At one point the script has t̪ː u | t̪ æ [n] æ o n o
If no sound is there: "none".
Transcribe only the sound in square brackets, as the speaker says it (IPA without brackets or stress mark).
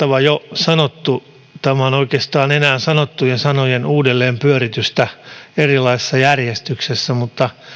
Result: m